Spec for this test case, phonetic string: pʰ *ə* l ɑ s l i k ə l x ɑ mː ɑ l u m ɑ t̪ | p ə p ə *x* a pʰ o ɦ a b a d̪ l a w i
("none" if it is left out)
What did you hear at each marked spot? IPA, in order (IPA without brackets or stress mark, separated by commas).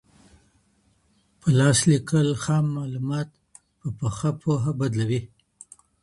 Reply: ə, x